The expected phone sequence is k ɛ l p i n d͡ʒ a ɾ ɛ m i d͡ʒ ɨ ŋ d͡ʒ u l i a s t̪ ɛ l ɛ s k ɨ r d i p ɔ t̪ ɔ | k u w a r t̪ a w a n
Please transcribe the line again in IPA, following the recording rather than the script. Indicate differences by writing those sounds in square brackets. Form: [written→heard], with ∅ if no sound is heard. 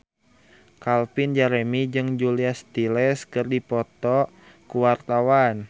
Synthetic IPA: k [ɛ→a] l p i n d͡ʒ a ɾ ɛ m i d͡ʒ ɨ ŋ d͡ʒ u l i a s t̪ [ɛ→i] l ɛ s k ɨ r d i p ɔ t̪ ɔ | k u w a r t̪ a w a n